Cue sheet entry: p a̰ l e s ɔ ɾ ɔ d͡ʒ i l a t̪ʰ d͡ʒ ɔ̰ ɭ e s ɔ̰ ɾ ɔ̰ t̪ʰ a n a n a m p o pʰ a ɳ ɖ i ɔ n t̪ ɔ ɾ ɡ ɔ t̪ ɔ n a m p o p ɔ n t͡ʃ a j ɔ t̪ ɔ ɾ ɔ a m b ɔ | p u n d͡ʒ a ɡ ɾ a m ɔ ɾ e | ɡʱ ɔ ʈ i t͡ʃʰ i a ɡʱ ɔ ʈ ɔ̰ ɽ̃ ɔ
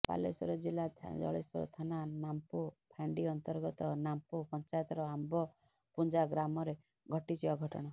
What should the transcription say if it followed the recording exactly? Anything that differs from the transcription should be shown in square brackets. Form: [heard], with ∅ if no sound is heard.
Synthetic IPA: p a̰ l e s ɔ ɾ ɔ d͡ʒ i l a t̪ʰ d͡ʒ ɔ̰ ɭ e s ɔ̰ ɾ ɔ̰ t̪ʰ a n a n a m p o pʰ a ɳ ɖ i ɔ n t̪ ɔ ɾ ɡ ɔ t̪ ɔ n a m p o p ɔ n t͡ʃ a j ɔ t̪ ɔ ɾ ɔ a m b ɔ | p u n d͡ʒ a ɡ ɾ a m ɔ ɾ e | ɡʱ ɔ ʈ i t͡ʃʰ i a ɡʱ ɔ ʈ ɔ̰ ɽ̃ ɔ

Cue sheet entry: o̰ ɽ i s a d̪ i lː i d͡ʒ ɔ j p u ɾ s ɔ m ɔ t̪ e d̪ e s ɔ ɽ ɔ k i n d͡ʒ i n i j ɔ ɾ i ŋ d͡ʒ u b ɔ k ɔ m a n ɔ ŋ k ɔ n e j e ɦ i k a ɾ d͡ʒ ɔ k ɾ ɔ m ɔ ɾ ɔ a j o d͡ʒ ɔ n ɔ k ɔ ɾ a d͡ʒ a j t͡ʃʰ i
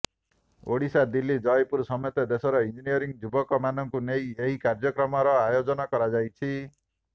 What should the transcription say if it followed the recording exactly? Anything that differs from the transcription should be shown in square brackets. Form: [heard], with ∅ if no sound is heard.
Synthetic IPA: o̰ ɽ i s a d̪ i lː i d͡ʒ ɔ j p u ɾ s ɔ m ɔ t̪ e d̪ e s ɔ [ɾ] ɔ [∅] i n d͡ʒ i n i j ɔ ɾ i ŋ d͡ʒ u b ɔ k ɔ m a n ɔ ŋ k [u] n e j e ɦ i k a ɾ d͡ʒ ɔ k ɾ ɔ m ɔ ɾ ɔ a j o d͡ʒ ɔ n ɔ k ɔ ɾ a d͡ʒ a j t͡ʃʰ i

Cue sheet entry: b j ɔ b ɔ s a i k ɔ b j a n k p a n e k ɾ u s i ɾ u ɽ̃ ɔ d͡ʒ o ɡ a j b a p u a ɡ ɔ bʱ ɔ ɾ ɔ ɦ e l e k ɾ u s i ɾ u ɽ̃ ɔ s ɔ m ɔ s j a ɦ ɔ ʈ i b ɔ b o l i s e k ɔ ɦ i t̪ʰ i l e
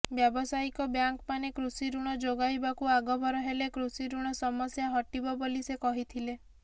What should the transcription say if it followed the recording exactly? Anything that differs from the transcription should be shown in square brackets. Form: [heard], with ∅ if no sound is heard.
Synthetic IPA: b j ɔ b ɔ s a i k ɔ b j a [ŋ] k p a n e k ɾ u s i ɾ u ɽ̃ ɔ d͡ʒ o ɡ a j b a [k] u a ɡ ɔ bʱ ɔ ɾ ɔ ɦ e l e k ɾ u s i ɾ u ɽ̃ ɔ s ɔ m ɔ s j a ɦ ɔ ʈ i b ɔ b o l i s e k ɔ ɦ i t̪ʰ i l e

